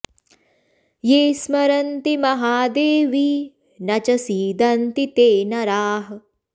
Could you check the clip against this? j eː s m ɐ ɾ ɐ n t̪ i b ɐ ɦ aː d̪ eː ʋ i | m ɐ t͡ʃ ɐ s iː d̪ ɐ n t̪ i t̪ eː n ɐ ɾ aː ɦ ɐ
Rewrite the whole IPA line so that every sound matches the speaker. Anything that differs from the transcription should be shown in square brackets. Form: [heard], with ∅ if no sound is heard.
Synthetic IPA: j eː s m ɐ ɾ ɐ n t̪ i [m] ɐ ɦ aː d̪ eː ʋ i | [n] ɐ t͡ʃ ɐ s iː d̪ ɐ n t̪ i t̪ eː n ɐ ɾ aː ɦ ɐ